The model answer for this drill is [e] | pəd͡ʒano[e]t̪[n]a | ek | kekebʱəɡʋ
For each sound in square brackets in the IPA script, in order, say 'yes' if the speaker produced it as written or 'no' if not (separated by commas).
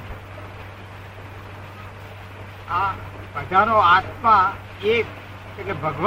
no, no, no